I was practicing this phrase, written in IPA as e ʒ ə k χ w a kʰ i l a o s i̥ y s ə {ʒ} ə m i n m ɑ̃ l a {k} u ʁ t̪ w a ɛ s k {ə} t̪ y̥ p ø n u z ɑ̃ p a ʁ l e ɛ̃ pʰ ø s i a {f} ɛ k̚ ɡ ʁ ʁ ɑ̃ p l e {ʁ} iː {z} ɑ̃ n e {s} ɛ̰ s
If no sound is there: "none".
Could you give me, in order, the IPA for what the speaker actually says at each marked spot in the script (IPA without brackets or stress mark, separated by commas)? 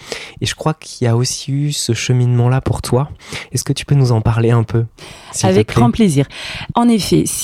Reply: ʃ, p, ə, v, z, ʁ, f